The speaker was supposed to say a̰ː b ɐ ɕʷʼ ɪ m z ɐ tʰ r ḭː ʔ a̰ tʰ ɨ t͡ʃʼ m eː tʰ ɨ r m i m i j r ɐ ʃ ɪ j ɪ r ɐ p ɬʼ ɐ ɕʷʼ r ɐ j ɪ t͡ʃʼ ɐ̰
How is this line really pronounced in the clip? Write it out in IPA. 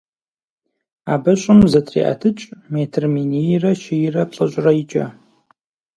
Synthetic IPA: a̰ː b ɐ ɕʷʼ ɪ m z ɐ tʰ r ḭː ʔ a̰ tʰ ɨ t͡ʃʼ m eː tʰ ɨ r m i n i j r ɐ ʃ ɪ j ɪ r ɐ p ɬʼ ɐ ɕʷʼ r ɐ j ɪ t͡ʃʼ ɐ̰

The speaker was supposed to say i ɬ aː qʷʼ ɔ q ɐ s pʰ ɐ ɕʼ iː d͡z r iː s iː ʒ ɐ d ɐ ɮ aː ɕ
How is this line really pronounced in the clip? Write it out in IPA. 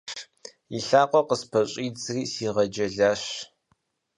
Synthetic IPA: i ɬ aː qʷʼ ɔ q ə s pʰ ɐ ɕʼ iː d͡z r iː s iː ʁ ɐ d͡ʒ ɐ ɮ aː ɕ

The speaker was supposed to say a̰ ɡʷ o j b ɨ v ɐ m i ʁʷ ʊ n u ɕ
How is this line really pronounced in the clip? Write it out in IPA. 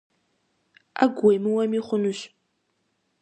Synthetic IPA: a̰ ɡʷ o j m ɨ w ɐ m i χʷ ʊ n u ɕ

